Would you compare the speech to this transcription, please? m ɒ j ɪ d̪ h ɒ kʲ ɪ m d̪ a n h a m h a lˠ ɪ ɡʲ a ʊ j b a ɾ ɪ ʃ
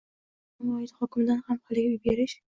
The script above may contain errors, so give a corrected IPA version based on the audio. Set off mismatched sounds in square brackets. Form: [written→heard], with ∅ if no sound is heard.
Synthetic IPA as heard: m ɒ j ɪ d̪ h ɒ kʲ ɪ m d̪ a n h a m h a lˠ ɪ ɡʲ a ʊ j b [a→e] ɾ ɪ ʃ